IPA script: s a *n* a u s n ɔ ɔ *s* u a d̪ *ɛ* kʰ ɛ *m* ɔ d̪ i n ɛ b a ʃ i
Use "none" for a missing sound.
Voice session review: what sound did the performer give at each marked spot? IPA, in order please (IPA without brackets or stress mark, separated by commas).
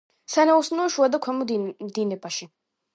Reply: n, ʃ, a, m